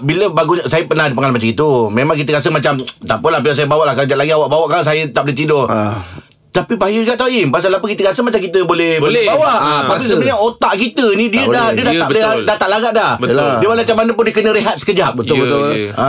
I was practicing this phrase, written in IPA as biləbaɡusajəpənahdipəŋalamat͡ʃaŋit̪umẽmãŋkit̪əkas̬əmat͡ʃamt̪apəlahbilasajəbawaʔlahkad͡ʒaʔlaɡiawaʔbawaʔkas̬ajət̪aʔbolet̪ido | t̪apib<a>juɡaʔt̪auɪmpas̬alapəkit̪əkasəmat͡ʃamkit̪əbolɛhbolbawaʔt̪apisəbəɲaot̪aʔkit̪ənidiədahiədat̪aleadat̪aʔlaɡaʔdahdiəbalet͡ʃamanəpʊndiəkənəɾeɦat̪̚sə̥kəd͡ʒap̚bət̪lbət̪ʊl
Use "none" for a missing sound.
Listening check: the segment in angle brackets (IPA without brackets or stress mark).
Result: a